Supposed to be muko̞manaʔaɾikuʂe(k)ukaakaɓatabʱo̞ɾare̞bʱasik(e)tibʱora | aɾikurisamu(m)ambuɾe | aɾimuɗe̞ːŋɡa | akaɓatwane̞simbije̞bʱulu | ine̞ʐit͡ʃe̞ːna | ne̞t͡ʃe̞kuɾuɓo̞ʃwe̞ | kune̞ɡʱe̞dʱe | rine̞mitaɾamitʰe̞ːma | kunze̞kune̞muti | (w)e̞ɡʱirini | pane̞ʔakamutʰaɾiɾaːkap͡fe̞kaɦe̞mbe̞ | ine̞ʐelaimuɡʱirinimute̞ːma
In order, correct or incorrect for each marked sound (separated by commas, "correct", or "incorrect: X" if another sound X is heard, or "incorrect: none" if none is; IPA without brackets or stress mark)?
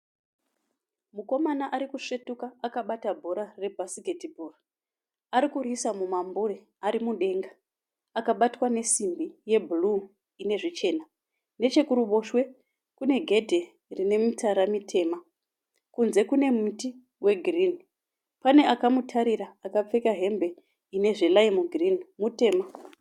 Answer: incorrect: t, correct, correct, correct